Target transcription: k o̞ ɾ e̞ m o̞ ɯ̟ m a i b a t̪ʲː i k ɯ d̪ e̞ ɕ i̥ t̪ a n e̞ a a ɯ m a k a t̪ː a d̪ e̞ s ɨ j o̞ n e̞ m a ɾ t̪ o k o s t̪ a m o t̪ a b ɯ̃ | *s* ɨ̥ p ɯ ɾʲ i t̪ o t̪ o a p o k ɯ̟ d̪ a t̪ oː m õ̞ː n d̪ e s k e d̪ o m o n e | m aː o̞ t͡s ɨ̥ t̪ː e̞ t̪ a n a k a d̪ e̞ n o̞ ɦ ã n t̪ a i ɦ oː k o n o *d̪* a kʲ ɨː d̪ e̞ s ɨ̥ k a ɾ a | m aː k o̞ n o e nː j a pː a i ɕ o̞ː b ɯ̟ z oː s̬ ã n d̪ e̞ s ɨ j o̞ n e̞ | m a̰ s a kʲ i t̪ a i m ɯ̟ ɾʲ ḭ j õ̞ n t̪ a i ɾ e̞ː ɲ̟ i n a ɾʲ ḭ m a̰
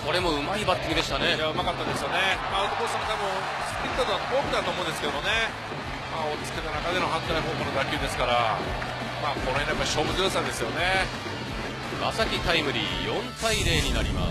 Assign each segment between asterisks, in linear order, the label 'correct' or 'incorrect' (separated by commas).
correct, correct